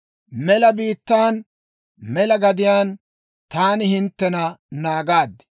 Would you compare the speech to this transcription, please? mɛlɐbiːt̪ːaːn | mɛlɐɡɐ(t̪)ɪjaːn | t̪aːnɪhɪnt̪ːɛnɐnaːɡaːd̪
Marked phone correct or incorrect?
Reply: incorrect